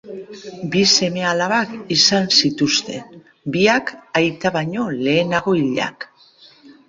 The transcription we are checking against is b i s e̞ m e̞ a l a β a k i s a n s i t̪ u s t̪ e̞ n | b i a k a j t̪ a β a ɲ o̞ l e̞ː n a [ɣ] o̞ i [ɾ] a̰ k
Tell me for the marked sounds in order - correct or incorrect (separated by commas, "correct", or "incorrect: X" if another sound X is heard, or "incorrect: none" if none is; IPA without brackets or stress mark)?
correct, incorrect: ʎ